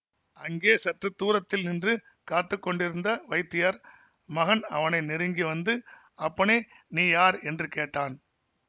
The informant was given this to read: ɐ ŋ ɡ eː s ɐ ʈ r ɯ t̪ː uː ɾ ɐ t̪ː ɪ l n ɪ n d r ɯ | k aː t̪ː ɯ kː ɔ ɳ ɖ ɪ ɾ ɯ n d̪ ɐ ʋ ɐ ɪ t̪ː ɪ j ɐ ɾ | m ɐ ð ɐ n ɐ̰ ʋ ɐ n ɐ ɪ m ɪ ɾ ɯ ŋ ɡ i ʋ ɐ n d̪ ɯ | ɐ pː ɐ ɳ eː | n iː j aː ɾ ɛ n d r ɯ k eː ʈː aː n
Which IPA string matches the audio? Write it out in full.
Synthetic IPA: ɐ ŋ ɡ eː s ɐ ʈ r ɯ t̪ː uː ɾ ɐ t̪ː ɪ l n ɪ n d r ɯ | k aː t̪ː ɯ kː ɔ ɳ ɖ ɪ ɾ ɯ n d̪ ɐ ʋ ɐ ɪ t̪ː ɪ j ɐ ɾ | m ɐ ɣ ɐ n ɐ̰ ʋ ɐ n ɐ ɪ n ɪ ɾ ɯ ŋ ɡ i ʋ ɐ n d̪ ɯ | ɐ pː ɐ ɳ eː | n iː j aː ɾ ɛ n d r ɯ k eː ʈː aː n